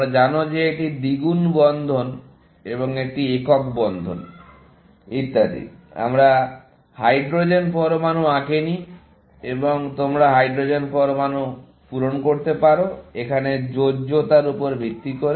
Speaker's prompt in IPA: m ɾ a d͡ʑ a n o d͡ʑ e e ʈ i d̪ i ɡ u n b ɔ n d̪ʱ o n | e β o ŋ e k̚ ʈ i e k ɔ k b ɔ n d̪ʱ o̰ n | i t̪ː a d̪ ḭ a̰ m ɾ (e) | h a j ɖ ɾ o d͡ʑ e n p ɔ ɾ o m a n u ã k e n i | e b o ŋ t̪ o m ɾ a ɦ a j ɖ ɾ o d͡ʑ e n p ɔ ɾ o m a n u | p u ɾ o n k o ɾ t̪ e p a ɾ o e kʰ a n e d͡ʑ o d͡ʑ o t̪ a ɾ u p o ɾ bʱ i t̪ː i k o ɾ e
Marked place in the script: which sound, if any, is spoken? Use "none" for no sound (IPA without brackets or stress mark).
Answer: a